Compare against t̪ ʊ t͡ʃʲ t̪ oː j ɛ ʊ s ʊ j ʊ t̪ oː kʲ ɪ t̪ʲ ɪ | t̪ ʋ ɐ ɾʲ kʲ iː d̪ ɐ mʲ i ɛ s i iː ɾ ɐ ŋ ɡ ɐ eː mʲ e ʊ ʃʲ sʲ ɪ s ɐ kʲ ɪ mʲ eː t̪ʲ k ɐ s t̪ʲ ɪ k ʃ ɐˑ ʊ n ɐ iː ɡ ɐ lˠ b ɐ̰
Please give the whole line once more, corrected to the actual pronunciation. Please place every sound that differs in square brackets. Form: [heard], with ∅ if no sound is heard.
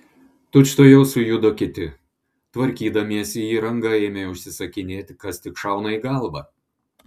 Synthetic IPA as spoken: t̪ ʊ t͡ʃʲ t̪ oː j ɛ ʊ s ʊ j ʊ [d̪] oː kʲ ɪ t̪ʲ ɪ | t̪ ʋ ɐ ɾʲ kʲ iː d̪ ɐ mʲ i ɛ s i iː ɾ ɐ ŋ ɡ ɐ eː mʲ e ʊ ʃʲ sʲ ɪ s ɐ kʲ ɪ [nʲ] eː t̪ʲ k ɐ s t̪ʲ ɪ k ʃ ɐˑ ʊ n ɐ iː ɡ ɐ lˠ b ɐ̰